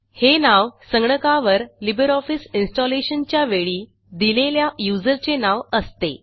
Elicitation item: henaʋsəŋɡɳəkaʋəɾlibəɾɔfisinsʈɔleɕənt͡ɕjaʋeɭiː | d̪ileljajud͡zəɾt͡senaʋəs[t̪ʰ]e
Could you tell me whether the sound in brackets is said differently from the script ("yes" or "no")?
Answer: yes